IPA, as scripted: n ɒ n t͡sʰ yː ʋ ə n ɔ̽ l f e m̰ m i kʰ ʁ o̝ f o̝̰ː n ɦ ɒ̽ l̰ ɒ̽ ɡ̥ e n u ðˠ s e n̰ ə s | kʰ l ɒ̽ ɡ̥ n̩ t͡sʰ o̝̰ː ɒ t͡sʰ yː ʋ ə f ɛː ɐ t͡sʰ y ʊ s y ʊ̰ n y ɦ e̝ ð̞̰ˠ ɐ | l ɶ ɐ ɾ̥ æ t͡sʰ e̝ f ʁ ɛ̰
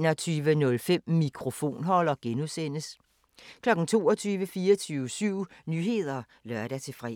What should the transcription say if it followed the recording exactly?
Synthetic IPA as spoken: n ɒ t͡sʰ yː ʋ ə n ɔ̽ l f e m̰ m i kʰ ʁ o̝ f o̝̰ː n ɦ ɒ̽ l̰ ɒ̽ ɡ̥ e n u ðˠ s e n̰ ə s | kʰ l ɒ̽ ɡ̥ n̩ t͡sʰ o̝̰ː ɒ t͡sʰ yː ʋ ə f iː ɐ t͡sʰ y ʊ s y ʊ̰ n y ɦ e̝ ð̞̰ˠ ɐ | l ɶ ɐ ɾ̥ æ t͡sʰ e̝ f ʁ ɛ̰